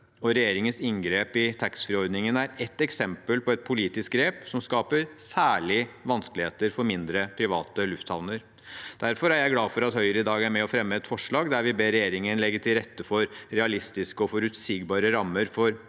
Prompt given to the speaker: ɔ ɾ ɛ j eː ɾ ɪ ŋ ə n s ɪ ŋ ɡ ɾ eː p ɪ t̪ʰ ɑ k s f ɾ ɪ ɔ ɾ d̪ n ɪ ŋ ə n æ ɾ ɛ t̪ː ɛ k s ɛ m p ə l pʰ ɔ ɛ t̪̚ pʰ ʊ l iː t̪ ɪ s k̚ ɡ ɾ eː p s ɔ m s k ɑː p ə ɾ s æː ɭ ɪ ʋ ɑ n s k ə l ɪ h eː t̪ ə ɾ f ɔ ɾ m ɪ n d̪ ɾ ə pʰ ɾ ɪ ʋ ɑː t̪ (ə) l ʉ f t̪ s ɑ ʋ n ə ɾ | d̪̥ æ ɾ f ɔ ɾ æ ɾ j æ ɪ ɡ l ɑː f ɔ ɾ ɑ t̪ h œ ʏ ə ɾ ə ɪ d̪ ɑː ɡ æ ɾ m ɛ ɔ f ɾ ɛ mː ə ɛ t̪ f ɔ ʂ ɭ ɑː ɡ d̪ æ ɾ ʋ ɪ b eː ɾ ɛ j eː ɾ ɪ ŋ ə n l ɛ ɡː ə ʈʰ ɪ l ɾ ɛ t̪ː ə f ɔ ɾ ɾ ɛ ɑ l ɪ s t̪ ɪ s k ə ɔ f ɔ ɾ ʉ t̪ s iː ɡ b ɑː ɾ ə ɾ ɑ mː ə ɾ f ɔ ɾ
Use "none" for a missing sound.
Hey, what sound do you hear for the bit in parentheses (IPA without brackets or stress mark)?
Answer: ə